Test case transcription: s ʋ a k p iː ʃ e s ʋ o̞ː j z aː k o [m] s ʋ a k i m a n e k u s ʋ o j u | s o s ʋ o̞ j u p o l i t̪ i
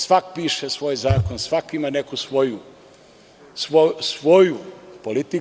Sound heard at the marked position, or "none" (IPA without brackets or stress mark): n